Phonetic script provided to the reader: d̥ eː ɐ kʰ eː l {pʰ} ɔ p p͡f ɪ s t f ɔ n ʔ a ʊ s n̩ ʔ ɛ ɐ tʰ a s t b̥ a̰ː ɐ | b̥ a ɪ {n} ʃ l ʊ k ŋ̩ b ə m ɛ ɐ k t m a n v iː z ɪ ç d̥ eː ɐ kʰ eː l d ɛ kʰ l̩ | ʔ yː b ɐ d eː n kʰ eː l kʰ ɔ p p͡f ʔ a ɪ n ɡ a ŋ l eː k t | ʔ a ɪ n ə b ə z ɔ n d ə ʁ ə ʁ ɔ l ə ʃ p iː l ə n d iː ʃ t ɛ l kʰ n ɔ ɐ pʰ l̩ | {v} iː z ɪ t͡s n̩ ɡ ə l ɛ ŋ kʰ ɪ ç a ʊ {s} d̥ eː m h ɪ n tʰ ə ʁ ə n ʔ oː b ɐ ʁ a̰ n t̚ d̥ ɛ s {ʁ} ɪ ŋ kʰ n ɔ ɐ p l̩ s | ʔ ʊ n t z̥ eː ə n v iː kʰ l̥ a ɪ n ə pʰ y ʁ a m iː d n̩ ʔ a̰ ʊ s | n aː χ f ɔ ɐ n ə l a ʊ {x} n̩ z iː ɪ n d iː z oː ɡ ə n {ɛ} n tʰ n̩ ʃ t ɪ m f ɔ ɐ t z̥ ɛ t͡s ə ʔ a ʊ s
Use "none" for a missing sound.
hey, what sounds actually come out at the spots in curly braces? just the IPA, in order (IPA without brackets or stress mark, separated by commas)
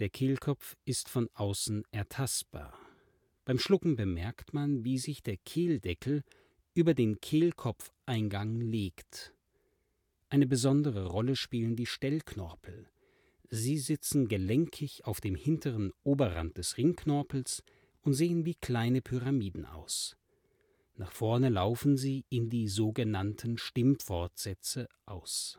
kʰ, m, z, f, ʁ, f, a